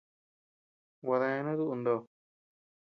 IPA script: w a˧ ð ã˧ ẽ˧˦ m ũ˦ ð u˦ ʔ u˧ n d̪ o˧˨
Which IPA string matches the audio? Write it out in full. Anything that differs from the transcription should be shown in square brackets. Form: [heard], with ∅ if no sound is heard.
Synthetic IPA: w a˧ ð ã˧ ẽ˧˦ [n] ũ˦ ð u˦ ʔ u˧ n d̪ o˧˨